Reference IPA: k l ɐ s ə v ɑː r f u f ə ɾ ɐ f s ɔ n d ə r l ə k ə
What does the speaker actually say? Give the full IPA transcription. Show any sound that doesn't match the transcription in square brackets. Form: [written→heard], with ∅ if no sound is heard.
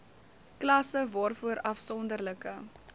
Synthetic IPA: k l ɐ s ə v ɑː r f u [f→∅] ə ɾ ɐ f s ɔ n d ə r l ə k ə